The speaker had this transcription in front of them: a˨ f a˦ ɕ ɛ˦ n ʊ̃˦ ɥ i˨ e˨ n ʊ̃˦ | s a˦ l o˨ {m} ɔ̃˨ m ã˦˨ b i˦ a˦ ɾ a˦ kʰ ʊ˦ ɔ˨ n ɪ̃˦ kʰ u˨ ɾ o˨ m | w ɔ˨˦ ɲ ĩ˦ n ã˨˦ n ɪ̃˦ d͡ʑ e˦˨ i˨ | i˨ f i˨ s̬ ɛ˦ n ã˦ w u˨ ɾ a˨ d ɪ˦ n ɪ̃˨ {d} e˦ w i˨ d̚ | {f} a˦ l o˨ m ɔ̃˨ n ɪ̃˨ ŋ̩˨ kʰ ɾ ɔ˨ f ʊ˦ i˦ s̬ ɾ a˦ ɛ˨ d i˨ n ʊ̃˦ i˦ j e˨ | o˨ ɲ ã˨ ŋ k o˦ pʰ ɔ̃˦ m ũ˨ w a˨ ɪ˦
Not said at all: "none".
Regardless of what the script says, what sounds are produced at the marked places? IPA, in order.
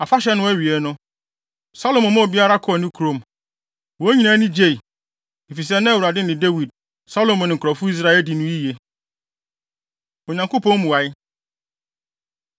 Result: m, d, s

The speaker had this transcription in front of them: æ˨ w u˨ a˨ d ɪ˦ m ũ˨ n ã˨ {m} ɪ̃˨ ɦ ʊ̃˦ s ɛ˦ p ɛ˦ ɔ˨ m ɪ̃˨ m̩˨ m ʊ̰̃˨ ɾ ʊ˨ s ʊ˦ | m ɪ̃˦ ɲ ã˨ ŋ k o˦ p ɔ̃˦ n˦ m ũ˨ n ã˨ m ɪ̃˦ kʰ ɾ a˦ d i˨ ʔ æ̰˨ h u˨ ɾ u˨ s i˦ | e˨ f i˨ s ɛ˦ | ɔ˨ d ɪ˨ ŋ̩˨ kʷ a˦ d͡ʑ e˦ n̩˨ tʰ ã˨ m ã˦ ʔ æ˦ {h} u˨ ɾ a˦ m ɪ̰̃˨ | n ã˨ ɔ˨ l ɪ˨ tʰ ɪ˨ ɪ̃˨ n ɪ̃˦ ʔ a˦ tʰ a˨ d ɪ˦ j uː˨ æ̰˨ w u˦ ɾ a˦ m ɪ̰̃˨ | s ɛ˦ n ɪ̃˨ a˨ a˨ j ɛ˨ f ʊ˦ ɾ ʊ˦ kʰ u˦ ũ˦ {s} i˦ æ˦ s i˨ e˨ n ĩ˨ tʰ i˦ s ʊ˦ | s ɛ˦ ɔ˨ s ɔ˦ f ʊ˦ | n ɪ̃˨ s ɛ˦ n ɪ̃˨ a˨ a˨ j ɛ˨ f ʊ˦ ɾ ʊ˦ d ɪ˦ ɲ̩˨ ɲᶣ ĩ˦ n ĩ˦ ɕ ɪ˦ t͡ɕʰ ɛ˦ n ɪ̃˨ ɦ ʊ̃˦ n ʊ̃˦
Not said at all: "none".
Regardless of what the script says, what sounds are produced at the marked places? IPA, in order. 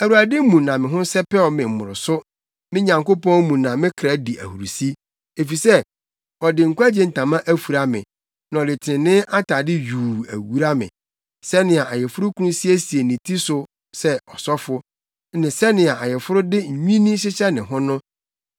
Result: m, f, s

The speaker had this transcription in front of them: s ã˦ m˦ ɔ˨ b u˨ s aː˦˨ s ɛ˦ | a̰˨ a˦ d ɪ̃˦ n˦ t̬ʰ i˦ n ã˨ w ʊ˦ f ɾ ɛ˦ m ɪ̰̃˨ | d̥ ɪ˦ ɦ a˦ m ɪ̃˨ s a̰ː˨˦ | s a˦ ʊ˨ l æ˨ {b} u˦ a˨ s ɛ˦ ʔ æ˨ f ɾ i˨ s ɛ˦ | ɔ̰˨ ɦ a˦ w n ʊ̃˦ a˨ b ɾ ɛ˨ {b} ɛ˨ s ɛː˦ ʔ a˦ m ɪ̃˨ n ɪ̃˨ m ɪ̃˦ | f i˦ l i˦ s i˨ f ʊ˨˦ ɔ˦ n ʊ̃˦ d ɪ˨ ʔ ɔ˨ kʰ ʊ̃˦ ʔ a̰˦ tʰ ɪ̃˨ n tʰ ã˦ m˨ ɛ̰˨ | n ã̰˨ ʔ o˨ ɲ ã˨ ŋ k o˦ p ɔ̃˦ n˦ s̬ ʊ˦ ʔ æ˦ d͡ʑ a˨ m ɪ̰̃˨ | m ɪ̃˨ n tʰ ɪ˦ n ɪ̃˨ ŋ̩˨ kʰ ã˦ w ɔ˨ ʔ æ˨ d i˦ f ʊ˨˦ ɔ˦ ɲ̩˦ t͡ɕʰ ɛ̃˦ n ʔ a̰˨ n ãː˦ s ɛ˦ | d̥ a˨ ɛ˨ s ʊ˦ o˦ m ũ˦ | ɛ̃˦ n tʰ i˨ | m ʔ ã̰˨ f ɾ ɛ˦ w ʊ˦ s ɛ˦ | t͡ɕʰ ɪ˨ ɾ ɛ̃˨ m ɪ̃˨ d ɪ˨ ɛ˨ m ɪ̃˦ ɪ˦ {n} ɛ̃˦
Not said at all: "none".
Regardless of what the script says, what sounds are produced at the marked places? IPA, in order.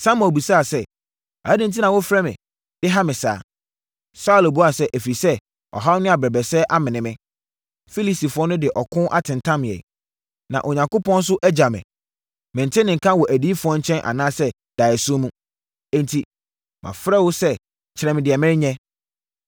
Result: b, b, ɲ

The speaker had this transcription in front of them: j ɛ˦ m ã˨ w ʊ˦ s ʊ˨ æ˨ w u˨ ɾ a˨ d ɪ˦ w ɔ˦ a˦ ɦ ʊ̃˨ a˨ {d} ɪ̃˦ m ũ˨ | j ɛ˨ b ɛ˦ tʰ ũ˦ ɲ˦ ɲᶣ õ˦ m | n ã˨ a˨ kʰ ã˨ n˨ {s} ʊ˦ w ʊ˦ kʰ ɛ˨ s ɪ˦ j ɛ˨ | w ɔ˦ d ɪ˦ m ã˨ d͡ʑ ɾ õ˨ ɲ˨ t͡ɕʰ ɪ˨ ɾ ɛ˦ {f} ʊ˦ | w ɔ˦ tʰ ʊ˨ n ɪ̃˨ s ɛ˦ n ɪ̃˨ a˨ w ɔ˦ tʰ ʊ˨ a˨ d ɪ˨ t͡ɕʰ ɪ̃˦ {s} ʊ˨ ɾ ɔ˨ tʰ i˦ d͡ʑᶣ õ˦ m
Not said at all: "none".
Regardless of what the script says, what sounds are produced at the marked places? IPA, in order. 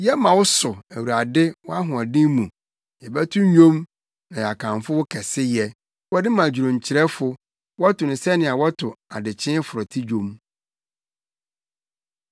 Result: d, f, f, f

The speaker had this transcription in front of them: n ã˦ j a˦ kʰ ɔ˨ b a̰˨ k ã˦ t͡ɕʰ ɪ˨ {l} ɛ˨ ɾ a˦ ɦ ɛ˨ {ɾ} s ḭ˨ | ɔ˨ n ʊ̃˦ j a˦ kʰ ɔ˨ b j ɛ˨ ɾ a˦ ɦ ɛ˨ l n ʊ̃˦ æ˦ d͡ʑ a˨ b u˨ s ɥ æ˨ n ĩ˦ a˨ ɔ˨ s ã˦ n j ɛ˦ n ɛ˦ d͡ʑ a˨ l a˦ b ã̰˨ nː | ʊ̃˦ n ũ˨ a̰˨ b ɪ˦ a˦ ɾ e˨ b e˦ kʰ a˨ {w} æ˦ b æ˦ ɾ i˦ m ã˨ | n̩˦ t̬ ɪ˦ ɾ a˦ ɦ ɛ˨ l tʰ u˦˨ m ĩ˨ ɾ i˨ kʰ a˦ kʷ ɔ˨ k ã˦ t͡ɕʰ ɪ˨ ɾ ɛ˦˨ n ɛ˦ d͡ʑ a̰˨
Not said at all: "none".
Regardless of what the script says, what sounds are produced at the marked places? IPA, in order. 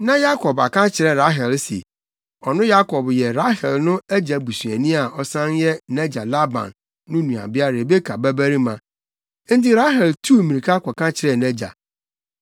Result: ɾ, l, b

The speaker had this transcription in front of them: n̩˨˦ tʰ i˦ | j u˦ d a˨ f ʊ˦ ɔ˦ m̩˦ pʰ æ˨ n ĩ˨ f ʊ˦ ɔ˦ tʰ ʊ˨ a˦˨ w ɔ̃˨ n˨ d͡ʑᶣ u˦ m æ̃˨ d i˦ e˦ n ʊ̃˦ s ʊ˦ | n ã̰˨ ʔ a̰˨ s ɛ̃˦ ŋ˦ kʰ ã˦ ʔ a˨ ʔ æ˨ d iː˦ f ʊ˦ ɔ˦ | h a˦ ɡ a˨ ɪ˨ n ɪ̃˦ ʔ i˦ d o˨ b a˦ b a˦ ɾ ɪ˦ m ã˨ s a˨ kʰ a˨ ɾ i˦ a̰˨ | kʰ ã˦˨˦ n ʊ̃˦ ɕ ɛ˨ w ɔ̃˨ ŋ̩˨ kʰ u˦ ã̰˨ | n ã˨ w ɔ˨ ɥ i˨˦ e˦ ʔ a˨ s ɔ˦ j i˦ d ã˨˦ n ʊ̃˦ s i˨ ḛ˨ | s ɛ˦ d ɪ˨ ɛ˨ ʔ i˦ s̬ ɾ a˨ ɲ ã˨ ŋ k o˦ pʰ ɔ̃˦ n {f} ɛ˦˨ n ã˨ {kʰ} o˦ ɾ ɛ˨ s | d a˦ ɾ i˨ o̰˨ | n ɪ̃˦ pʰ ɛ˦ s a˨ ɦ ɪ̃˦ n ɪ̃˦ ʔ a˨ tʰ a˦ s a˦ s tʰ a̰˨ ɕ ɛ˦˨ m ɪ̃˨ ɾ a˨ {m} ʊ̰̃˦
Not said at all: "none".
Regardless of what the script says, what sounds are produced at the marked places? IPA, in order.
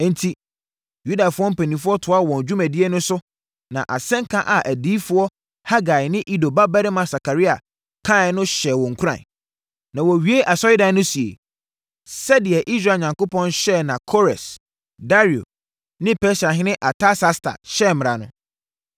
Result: ɕ, kʰ, n

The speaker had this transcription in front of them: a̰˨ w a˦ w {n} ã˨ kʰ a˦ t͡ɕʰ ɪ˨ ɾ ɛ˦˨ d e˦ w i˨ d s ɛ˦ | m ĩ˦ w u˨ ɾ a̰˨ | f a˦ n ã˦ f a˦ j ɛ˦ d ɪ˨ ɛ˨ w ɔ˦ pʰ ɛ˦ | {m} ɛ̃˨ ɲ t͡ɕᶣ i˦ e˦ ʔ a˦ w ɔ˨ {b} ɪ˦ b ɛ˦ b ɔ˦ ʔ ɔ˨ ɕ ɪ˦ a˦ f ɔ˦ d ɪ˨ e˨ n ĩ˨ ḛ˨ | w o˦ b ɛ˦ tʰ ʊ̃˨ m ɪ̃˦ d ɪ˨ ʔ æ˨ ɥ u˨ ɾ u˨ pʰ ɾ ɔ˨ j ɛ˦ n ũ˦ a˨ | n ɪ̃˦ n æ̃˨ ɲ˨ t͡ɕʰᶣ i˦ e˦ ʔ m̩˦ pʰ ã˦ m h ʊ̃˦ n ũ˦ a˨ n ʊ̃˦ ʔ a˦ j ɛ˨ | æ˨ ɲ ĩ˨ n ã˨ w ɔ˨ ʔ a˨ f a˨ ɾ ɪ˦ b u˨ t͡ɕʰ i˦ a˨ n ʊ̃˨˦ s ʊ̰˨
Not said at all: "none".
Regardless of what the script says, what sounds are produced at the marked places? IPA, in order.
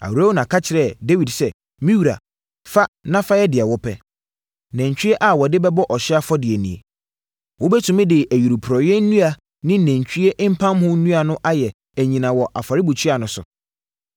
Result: n, n, d

